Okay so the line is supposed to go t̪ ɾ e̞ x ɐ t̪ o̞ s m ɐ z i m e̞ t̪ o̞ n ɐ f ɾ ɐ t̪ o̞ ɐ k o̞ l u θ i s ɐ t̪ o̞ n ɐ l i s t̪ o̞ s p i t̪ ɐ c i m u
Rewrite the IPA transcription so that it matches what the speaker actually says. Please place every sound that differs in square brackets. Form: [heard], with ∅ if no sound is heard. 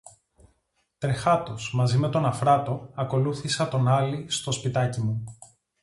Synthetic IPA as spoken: t̪ ɾ e̞ x ɐ t̪ o̞ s m ɐ z i m e̞ t̪ o̞ n ɐ f ɾ ɐ t̪ o̞ ɐ k o̞ l u θ i s ɐ t̪ o̞ n ɐ l i s t̪ o̞ s p i t̪ ɐ c i m u